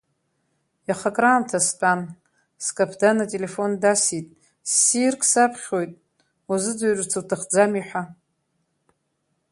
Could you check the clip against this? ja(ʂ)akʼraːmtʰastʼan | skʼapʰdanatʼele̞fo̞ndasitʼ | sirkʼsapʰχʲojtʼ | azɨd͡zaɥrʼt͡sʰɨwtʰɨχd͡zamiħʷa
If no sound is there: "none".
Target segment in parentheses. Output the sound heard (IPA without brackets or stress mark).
χ